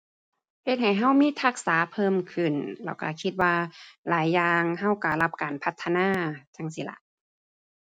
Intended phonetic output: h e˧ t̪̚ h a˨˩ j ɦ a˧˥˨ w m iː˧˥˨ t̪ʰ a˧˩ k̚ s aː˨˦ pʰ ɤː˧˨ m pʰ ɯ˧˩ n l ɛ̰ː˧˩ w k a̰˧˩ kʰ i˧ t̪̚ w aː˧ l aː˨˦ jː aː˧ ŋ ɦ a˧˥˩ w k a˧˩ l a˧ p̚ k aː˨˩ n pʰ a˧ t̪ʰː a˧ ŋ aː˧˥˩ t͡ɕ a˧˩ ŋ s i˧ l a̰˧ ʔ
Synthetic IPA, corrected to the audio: h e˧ t̪̚ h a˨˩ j ɦ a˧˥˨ w m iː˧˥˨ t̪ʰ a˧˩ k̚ s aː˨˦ pʰ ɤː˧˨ m kʰ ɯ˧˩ n l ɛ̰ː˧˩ w k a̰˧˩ kʰ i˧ t̪̚ w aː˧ l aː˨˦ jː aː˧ ŋ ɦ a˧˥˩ w k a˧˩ l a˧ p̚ k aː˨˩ n pʰ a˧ t̪ʰː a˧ n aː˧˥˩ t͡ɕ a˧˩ ŋ s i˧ l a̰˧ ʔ